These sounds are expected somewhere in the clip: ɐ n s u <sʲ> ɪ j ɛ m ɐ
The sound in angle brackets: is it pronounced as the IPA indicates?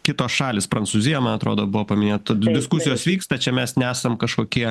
no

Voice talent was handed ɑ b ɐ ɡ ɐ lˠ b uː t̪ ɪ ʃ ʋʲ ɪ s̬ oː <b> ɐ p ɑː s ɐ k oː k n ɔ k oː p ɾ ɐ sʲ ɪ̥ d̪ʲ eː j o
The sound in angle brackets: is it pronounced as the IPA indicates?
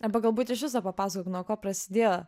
no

